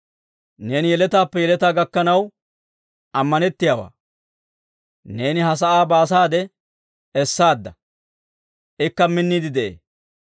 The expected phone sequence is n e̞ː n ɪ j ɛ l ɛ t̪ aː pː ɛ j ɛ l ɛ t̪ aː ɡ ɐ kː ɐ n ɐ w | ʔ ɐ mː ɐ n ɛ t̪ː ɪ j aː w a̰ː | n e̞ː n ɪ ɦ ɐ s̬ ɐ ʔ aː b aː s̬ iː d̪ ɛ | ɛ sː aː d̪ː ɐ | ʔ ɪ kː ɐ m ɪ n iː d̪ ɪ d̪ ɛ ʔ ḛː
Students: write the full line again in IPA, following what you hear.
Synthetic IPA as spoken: n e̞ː n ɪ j ɛ l ɛ t̪ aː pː ɛ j ɛ l ɛ t̪ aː ɡ ɐ kː ɐ n ɐ w | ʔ ɐ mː ɐ n ɛ t̪ː ɪ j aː w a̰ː | n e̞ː n ɪ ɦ ɐ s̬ ɐ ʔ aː b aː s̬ aː d̪ ɛ | ɛ sː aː d̪ː ɐ | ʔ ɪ kː ɐ m ɪ nː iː d̪ ɪ d̪ ɛ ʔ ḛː